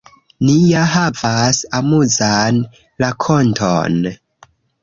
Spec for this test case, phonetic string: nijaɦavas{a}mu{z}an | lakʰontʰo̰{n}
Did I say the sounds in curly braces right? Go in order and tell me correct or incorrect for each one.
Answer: correct, correct, correct

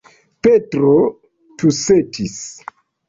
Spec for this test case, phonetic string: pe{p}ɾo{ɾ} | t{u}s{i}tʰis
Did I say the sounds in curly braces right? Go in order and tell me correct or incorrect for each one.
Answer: incorrect: t, incorrect: none, correct, incorrect: e

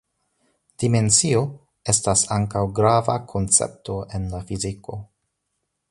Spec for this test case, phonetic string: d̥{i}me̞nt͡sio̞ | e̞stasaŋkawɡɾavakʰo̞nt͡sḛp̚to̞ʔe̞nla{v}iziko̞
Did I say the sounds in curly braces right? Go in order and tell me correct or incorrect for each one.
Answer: correct, incorrect: f

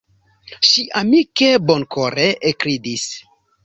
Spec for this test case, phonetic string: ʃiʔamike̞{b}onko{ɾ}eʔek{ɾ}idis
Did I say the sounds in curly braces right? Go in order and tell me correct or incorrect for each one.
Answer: correct, correct, correct

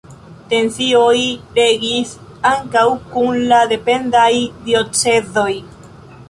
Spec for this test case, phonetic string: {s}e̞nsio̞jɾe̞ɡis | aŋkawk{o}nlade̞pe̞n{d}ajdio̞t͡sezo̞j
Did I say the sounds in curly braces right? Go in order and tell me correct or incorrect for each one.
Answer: incorrect: t, incorrect: u, correct

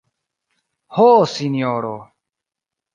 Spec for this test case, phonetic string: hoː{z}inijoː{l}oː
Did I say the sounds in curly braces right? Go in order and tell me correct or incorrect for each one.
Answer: incorrect: s, incorrect: ɾ

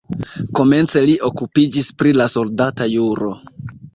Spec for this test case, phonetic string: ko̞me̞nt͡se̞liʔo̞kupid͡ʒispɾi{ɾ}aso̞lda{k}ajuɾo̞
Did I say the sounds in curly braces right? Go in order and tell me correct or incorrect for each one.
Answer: incorrect: l, incorrect: t

